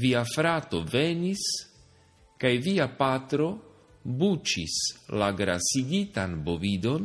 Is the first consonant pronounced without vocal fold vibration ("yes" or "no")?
no